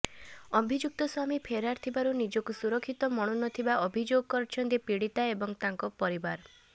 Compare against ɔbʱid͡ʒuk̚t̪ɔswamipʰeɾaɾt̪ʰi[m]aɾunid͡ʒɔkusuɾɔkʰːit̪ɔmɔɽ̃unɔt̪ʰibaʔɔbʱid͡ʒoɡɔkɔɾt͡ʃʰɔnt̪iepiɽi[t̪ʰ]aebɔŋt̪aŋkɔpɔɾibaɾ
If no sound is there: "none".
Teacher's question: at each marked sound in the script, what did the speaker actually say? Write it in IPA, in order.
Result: b, t̪

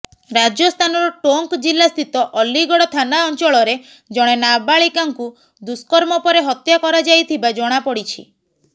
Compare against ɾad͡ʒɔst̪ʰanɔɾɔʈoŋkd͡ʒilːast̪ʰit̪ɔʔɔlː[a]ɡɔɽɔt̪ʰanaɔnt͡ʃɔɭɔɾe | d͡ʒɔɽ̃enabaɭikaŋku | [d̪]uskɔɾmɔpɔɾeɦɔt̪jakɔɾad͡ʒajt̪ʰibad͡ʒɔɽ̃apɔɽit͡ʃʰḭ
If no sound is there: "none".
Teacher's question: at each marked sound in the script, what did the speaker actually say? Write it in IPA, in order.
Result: i, d̪

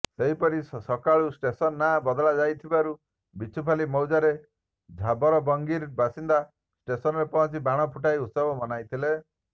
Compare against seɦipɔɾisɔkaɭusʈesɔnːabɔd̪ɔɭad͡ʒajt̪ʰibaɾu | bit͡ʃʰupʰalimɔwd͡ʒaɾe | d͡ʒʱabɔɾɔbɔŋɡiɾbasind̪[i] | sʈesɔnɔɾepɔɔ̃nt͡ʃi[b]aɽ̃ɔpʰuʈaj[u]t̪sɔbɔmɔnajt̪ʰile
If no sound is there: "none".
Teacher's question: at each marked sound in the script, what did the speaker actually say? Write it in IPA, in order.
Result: a, b, u

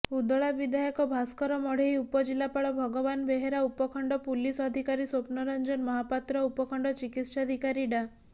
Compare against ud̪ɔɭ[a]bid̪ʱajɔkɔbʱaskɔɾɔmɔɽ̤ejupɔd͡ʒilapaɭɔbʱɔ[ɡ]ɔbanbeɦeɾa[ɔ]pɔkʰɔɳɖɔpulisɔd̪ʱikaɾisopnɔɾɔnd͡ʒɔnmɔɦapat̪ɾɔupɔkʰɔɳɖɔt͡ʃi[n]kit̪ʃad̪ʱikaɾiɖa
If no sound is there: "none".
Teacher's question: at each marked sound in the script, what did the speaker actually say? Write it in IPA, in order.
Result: a, ɡ, u, none

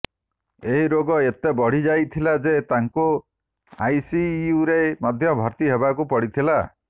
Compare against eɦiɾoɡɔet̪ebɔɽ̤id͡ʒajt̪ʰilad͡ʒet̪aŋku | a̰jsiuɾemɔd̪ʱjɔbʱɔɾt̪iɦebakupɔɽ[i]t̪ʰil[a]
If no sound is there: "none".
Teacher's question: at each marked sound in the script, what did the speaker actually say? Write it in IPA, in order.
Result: i, a

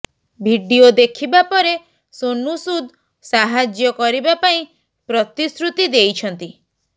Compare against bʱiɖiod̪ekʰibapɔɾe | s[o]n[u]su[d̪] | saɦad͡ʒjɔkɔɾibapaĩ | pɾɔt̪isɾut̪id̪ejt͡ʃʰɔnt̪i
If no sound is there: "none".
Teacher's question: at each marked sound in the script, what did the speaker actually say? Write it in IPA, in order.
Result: o, u, d̪

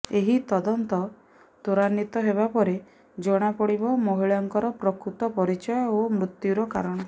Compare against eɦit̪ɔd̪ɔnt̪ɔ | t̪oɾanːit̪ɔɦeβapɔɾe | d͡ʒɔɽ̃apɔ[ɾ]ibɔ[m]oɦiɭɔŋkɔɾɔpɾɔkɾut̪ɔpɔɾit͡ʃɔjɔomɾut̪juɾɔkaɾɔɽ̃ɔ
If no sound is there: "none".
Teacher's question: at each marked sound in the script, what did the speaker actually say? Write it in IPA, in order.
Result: ɽ, m

